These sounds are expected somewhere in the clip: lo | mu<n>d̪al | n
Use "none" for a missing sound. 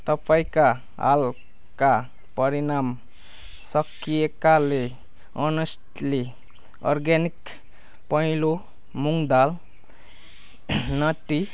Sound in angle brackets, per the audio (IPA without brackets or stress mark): ŋ